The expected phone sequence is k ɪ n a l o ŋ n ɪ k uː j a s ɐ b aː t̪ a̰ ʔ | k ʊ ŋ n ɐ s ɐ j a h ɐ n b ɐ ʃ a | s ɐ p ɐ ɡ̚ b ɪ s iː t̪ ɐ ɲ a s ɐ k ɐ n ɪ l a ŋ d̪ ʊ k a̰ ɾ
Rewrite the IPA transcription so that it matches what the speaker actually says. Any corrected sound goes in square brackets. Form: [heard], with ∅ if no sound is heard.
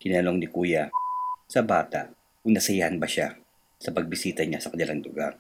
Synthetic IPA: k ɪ n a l o ŋ n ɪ k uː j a s ɐ b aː t̪ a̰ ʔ | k ʊ ŋ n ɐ s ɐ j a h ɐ n b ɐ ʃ a | s ɐ p ɐ ɡ̚ b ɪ s iː t̪ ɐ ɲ a s ɐ k ɐ n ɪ l a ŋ d̪ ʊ [ɡ] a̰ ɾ